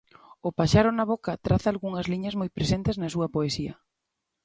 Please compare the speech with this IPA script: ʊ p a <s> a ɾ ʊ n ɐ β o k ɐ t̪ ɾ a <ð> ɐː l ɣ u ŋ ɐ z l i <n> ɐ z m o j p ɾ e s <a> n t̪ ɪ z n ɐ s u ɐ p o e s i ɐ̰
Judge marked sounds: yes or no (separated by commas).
no, no, no, no